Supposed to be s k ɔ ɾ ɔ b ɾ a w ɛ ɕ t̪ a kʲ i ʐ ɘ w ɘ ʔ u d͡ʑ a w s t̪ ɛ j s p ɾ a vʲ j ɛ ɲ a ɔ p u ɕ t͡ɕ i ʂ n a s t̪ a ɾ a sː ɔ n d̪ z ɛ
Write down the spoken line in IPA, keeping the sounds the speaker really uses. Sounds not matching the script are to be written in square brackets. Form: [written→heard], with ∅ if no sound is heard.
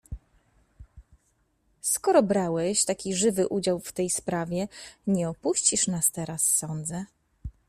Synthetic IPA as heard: s k ɔ ɾ ɔ b ɾ a w ɛ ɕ t̪ a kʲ i ʐ ɘ [w→v] ɘ ʔ u d͡ʑ a w [s→f] t̪ ɛ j s p ɾ a vʲ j ɛ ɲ [a→ɛ] ɔ p u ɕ t͡ɕ i ʂ n a s t̪ [a→ɛ] ɾ a sː ɔ n d̪ z ɛ

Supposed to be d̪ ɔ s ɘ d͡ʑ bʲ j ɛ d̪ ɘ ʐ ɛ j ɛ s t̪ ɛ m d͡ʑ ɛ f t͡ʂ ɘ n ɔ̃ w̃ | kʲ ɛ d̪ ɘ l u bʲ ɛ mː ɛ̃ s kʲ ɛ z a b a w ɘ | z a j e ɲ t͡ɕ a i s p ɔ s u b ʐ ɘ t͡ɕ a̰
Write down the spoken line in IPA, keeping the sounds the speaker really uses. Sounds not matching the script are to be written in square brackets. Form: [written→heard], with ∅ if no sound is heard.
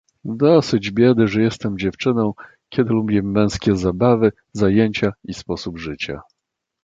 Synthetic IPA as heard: d̪ ɔ s ɘ d͡ʑ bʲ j ɛ d̪ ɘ ʐ ɛ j ɛ s t̪ ɛ m d͡ʑ ɛ f t͡ʂ ɘ n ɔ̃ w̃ | kʲ ɛ d̪ ɘ l u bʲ ɛ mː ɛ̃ s kʲ ɛ z a b a [w→v] ɘ | z a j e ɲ t͡ɕ a i s p ɔ s u b ʐ ɘ t͡ɕ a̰

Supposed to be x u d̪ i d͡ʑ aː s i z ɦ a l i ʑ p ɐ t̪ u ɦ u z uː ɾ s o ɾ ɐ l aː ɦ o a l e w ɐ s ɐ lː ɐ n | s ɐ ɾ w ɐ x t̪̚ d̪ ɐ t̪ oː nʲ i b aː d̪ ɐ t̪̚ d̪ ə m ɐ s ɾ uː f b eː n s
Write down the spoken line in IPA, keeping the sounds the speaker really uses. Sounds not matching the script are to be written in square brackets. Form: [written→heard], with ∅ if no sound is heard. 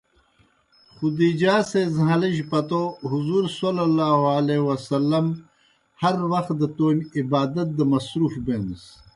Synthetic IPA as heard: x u d̪ i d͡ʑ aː s [i→e] z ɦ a l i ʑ p ɐ t̪ [u→o] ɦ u z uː ɾ s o [ɾ→l] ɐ l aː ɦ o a l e w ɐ s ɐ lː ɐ [n→m] | [s→h] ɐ ɾ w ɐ x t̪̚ d̪ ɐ t̪ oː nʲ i b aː d̪ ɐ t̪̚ d̪ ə m ɐ s ɾ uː f b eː n s

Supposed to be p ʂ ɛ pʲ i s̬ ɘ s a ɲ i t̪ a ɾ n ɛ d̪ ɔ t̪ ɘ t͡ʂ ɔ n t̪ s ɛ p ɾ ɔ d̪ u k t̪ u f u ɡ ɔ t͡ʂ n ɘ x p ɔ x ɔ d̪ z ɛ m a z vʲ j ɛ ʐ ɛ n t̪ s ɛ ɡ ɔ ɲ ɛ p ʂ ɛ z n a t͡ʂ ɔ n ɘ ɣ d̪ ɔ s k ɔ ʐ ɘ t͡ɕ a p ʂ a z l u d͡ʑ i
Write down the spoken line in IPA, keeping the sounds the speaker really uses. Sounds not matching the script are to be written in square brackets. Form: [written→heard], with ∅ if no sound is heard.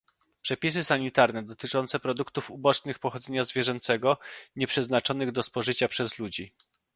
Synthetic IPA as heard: p ʂ ɛ pʲ i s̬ ɘ s a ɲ i t̪ a ɾ n ɛ d̪ ɔ t̪ ɘ t͡ʂ ɔ n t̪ s ɛ p ɾ ɔ d̪ u k t̪ u f u [ɡ→b] ɔ t͡ʂ n ɘ x p ɔ x ɔ d̪ z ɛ [m→ɲ] a z vʲ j ɛ ʐ ɛ n t̪ s ɛ ɡ ɔ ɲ ɛ p ʂ ɛ z n a t͡ʂ ɔ n ɘ ɣ d̪ ɔ s [k→p] ɔ ʐ ɘ t͡ɕ a p ʂ [a→ɛ] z l u d͡ʑ i

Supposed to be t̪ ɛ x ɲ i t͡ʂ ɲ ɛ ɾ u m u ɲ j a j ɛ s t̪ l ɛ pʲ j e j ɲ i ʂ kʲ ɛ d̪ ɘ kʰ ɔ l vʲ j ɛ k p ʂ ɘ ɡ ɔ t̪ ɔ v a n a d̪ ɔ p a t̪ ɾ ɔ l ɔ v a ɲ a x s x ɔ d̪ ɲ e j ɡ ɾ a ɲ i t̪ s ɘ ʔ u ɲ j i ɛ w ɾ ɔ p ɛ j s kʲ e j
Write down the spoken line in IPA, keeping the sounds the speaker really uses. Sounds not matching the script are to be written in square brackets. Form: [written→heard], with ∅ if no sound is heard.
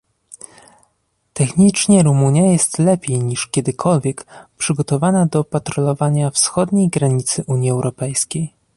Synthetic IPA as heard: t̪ ɛ x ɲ i t͡ʂ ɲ ɛ ɾ u m u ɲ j a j ɛ s t̪ l ɛ pʲ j e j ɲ i ʂ kʲ ɛ d̪ ɘ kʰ ɔ l vʲ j ɛ k p ʂ ɘ ɡ ɔ t̪ ɔ v a n a d̪ ɔ p a t̪ ɾ ɔ l ɔ v a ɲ a [x→f] s x ɔ d̪ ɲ e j ɡ ɾ a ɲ i t̪ s ɘ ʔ u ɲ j i ɛ w ɾ ɔ p ɛ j s kʲ e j

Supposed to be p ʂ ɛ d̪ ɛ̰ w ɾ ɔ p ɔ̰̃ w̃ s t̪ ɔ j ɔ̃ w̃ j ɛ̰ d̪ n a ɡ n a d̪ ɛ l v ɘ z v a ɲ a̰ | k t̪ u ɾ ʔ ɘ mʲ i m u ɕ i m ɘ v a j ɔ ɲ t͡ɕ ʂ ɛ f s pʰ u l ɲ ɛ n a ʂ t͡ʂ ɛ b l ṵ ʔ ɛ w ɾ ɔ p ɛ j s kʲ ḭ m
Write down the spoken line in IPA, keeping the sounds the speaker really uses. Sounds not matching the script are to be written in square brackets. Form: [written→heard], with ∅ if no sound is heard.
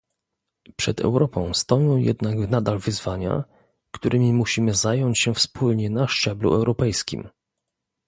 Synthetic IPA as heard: p ʂ ɛ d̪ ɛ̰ w ɾ ɔ p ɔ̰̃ w̃ s t̪ ɔ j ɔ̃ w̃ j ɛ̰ d̪ n a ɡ n a d̪ [ɛ→a] l v ɘ z v a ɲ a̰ | k t̪ u ɾ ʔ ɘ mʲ i m u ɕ i m ɘ [v→z] a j ɔ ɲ t͡ɕ [ʂ→ɕ] ɛ f s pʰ u l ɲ ɛ n a ʂ t͡ʂ ɛ b l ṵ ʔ ɛ w ɾ ɔ p ɛ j s kʲ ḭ m

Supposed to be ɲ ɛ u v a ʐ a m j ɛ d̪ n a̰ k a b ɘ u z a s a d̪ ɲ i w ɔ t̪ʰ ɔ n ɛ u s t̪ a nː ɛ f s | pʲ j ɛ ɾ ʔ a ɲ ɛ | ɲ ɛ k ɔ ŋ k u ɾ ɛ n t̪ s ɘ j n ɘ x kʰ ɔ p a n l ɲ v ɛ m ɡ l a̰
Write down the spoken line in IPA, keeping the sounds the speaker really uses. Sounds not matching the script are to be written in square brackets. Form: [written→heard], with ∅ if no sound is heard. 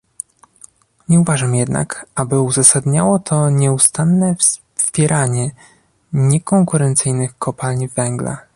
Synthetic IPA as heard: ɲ ɛ u v a ʐ a m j ɛ d̪ n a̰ k a b ɘ u z a s a d̪ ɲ [i→a] w ɔ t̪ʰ ɔ [n→ɲ] ɛ u s t̪ a nː ɛ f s | pʲ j ɛ ɾ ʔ a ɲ ɛ | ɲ ɛ k ɔ ŋ k u ɾ ɛ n t̪ s ɘ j n ɘ x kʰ ɔ p a [n→∅] l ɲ v ɛ [m→ŋ] ɡ l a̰

